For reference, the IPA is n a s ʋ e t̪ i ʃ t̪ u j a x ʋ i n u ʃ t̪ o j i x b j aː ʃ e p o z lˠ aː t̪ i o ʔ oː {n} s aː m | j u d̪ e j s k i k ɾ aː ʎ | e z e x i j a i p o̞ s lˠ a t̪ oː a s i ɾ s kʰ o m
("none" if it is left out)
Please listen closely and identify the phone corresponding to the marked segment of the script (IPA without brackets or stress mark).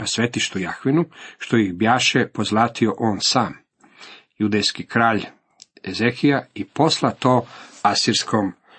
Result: n